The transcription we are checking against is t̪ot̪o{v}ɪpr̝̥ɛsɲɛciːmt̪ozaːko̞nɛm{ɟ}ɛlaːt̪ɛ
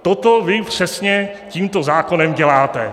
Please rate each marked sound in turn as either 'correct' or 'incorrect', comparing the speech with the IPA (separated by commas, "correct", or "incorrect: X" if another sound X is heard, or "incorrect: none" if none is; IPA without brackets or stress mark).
correct, correct